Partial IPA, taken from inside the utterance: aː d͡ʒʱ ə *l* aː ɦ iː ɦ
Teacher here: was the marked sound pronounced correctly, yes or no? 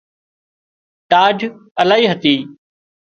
yes